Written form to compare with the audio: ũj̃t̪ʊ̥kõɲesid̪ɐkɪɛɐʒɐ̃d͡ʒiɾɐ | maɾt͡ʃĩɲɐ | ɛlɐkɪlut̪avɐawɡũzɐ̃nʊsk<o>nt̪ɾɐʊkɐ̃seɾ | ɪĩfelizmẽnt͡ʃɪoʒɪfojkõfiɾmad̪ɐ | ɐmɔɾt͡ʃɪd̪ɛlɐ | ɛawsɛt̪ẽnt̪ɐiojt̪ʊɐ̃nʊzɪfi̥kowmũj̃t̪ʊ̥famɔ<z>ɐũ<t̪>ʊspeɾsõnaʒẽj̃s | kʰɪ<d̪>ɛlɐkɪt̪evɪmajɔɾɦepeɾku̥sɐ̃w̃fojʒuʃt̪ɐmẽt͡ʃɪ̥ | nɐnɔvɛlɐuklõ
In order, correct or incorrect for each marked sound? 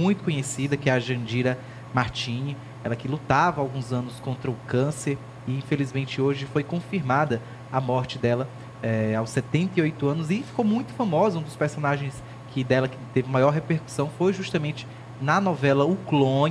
incorrect: õ, correct, incorrect: d̪, correct

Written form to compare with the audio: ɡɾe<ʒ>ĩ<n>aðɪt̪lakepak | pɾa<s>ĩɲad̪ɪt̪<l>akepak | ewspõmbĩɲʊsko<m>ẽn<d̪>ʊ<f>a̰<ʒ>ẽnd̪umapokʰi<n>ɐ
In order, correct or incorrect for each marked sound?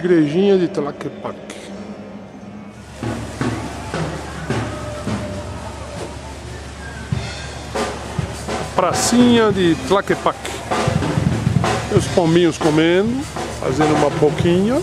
correct, incorrect: ɲ, correct, correct, correct, correct, correct, incorrect: z, incorrect: ɲ

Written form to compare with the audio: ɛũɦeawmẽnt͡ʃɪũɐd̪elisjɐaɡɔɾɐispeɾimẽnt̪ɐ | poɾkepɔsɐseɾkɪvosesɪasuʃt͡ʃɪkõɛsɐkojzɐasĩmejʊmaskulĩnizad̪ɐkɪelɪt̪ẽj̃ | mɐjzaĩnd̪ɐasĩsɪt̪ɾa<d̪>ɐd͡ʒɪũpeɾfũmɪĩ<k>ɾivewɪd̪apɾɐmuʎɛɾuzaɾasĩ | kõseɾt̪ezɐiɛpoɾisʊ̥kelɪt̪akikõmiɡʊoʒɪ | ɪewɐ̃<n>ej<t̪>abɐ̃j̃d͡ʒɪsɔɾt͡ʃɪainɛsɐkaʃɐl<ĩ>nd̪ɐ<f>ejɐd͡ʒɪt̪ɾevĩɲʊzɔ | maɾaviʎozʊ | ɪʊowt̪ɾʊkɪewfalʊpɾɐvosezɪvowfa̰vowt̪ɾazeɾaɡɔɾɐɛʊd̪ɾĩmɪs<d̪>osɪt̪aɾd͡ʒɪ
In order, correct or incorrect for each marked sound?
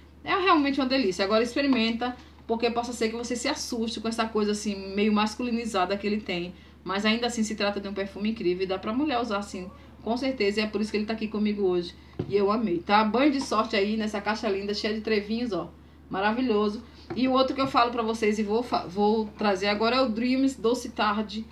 incorrect: t̪, correct, incorrect: m, correct, correct, incorrect: ʃ, correct

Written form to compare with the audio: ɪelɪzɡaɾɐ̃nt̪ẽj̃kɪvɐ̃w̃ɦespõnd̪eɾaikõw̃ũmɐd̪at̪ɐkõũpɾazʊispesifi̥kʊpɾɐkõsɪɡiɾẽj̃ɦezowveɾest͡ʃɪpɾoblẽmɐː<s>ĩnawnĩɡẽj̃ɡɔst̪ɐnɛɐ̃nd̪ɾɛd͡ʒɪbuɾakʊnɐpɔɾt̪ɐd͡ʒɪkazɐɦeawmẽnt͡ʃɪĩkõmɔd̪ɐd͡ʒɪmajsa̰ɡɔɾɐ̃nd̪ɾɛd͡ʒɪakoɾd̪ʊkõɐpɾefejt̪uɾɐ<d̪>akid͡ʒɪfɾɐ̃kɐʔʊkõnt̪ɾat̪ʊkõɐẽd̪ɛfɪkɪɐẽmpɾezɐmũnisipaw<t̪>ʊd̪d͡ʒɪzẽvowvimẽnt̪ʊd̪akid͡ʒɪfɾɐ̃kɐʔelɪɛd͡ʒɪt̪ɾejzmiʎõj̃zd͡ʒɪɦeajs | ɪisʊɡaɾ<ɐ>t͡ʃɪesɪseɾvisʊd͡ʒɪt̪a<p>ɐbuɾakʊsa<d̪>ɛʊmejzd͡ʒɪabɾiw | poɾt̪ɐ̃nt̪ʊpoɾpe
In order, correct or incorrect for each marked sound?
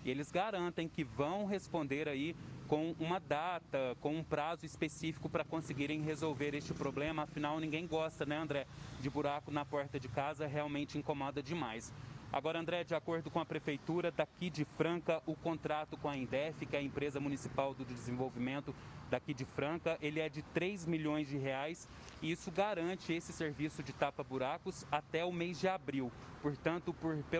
incorrect: f, correct, incorrect: d̪, incorrect: ɐ̃, correct, incorrect: t̪

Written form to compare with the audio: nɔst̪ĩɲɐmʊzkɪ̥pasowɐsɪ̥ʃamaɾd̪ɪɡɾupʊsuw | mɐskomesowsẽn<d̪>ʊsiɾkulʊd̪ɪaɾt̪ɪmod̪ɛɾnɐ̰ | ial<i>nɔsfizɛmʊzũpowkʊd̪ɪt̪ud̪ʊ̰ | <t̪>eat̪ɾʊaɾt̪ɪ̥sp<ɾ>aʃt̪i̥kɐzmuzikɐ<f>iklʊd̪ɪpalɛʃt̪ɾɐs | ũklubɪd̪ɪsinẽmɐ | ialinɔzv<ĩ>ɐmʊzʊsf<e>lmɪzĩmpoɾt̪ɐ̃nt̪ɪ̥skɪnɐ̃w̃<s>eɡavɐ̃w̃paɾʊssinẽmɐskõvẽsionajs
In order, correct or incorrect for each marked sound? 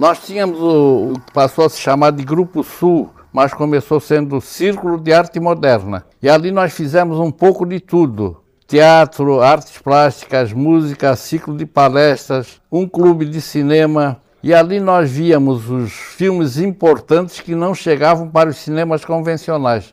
correct, correct, correct, incorrect: l, incorrect: s, incorrect: i, incorrect: i, incorrect: ʃ

